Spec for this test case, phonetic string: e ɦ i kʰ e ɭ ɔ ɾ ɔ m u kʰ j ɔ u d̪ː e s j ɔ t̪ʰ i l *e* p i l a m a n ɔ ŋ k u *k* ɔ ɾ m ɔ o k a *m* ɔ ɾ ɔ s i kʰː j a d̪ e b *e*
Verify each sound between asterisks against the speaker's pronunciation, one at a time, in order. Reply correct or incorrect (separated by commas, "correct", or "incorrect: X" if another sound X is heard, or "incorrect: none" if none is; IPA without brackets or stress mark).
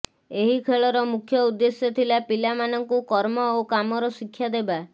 incorrect: a, correct, correct, incorrect: a